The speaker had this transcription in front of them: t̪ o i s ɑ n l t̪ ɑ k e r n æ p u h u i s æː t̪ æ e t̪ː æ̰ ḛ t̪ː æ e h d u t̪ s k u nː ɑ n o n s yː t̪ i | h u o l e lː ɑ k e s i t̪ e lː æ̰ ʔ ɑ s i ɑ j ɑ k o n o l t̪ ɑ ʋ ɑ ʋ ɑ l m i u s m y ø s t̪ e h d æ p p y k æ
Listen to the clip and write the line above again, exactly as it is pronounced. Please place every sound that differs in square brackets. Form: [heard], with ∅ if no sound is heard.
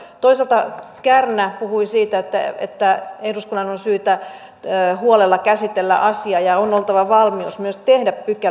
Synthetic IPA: t̪ o i s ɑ [∅] l t̪ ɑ k [æ] r n æ p u h u i s [iː] t̪ æ e t̪ː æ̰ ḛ t̪ː æ e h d u [∅] s k u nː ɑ n o n s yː t̪ [æ] | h u o l e lː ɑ k [æ] s i t̪ e lː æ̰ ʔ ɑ s i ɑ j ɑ [∅] o n o l t̪ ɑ ʋ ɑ ʋ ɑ l m i u s m y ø s t̪ e h d æ p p y k æ